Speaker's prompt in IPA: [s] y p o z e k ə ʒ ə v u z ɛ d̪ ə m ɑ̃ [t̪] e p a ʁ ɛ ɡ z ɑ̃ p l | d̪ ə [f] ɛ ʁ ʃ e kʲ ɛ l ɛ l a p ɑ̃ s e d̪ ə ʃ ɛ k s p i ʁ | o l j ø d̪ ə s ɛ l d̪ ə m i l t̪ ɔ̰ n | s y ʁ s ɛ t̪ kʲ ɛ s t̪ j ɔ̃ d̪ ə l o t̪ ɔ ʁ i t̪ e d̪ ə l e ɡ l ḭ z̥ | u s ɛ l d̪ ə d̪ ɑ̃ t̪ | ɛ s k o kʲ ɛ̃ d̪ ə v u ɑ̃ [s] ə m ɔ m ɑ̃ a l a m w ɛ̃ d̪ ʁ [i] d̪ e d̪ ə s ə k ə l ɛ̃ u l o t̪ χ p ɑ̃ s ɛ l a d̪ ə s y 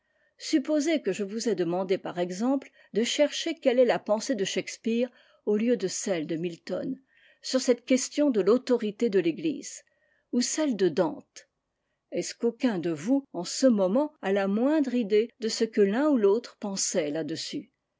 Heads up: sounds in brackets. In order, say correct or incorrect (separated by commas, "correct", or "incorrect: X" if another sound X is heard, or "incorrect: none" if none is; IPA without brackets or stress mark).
correct, incorrect: d̪, incorrect: ʃ, correct, correct